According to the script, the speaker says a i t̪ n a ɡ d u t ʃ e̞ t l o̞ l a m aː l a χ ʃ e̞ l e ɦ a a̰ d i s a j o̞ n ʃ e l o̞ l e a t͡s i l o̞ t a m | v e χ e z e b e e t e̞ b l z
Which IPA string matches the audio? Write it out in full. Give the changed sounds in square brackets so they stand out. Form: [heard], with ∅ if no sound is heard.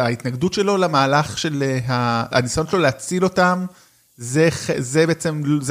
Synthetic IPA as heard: a i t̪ n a ɡ d u t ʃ e̞ [∅] l o̞ l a m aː l a χ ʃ e̞ l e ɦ a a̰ [n] i s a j o̞ n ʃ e l o̞ l e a t͡s i l o̞ t a m | [z] e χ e z e b e e [t͡s] e̞ [m] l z